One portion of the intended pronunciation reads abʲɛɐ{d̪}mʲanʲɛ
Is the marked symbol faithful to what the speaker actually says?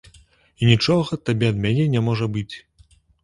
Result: yes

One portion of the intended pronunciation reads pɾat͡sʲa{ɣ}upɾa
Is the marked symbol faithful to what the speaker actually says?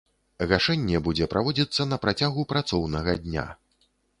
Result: yes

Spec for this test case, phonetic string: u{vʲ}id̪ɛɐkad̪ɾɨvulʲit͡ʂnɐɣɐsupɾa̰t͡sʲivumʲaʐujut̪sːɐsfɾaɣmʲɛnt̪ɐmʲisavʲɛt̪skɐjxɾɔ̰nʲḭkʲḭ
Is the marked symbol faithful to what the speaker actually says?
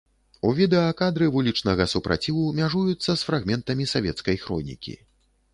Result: yes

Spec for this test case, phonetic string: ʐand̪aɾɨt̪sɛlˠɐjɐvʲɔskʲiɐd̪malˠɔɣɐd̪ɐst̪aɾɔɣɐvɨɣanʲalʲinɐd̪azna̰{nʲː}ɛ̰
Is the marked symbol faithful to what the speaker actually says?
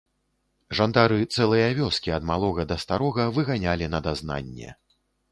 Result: yes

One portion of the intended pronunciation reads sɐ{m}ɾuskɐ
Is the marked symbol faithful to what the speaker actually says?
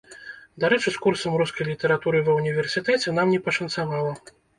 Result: yes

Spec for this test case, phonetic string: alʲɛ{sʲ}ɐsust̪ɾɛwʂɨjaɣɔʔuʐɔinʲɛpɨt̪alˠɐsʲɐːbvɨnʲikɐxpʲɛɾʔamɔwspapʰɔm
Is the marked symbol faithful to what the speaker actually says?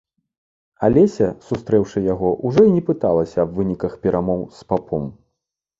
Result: yes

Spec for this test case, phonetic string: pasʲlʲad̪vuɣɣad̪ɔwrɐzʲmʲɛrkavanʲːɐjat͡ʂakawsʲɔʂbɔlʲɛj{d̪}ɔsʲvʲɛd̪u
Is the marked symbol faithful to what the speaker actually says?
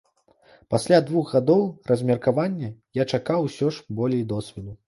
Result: yes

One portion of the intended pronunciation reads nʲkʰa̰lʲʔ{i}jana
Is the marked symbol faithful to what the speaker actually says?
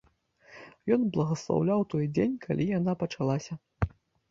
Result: yes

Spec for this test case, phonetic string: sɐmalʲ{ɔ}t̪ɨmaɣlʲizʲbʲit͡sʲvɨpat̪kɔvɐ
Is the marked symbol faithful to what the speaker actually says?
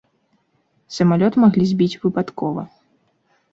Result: yes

